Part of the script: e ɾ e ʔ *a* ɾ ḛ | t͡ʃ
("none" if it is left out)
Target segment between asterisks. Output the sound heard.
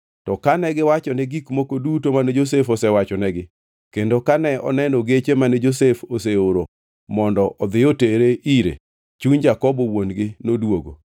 i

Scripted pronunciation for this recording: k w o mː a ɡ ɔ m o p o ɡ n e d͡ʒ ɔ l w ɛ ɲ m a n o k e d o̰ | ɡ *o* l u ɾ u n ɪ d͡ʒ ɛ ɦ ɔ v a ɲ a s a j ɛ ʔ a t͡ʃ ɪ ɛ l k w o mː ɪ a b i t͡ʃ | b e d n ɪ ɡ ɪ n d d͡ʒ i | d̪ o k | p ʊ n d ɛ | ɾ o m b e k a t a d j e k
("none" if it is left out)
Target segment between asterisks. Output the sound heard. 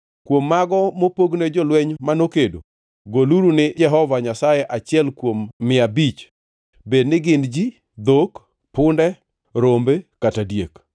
o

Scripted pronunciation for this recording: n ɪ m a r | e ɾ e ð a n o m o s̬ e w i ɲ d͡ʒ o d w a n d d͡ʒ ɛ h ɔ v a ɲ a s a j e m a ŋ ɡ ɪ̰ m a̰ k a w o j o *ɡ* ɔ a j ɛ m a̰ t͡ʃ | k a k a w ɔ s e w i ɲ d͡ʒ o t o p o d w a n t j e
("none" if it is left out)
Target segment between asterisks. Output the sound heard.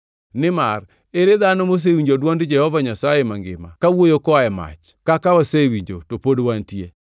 k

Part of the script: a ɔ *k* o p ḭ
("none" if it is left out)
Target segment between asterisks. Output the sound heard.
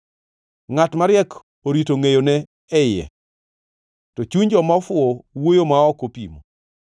k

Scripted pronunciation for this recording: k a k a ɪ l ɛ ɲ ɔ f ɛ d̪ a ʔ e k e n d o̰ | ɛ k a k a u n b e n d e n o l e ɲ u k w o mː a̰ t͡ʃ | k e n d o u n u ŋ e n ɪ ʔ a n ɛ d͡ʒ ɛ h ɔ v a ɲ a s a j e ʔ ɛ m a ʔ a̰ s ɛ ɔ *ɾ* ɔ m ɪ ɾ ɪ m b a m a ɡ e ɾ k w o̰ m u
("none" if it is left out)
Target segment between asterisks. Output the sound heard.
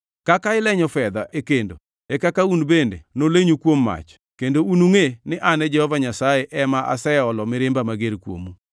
l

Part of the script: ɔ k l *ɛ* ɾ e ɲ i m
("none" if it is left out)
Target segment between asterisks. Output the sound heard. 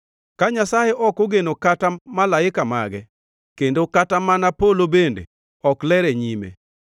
ɛ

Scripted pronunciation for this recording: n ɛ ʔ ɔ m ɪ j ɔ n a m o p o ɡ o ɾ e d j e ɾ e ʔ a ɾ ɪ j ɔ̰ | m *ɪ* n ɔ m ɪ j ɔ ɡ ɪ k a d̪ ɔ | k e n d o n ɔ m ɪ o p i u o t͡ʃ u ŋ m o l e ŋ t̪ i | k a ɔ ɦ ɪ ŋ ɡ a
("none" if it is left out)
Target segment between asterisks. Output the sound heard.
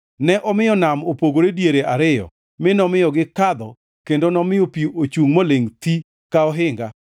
ɪ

